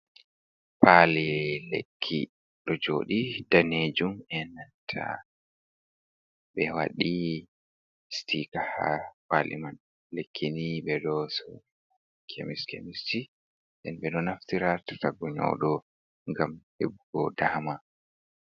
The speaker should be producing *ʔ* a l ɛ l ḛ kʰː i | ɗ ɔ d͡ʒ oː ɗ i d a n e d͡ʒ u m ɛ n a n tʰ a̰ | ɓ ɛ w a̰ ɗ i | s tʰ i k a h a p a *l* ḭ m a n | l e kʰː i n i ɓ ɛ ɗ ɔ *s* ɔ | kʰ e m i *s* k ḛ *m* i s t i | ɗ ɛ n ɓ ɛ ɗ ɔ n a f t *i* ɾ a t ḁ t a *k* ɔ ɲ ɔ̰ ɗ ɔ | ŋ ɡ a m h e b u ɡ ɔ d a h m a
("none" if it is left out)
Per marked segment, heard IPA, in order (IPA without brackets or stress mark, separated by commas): p, l, s, s, m, i, ɡ